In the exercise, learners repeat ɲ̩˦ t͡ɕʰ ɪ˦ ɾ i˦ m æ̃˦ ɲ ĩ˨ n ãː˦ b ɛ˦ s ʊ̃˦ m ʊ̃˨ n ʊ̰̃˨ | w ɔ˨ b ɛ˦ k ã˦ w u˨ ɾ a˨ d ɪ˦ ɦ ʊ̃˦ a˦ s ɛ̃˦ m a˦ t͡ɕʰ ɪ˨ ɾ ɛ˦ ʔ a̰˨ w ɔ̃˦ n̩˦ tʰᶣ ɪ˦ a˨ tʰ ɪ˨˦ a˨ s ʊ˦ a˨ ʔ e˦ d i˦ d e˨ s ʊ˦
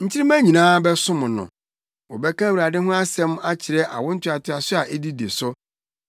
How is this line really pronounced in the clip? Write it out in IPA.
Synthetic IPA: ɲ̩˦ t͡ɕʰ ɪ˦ ɾ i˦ m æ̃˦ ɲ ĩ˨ n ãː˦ b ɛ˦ s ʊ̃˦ m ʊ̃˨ n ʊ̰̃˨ | w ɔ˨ b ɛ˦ k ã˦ w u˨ ɾ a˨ d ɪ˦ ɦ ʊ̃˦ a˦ s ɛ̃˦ m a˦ t͡ɕʰ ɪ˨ ɾ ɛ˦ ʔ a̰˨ w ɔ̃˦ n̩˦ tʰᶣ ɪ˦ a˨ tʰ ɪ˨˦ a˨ s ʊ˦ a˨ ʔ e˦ d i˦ d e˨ s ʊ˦